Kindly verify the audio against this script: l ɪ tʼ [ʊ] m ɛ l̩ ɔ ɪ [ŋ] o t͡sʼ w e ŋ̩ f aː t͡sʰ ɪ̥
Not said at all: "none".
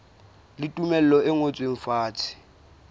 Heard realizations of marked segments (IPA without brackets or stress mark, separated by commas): u, ŋ